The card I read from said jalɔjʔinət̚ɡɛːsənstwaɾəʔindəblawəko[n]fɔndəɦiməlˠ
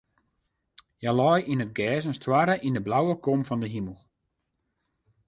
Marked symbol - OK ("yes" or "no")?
no